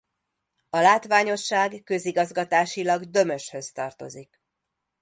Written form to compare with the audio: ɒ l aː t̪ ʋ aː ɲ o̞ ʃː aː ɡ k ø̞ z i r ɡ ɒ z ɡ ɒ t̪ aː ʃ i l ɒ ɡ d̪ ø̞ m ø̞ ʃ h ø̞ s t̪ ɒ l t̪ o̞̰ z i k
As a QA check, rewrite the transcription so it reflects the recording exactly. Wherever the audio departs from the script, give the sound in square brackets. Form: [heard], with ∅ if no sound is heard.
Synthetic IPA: ɒ l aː t̪ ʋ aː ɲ o̞ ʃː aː ɡ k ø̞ z i [∅] ɡ ɒ z ɡ ɒ t̪ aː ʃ i l ɒ ɡ d̪ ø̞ m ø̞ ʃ h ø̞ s t̪ ɒ [r] t̪ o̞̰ z i k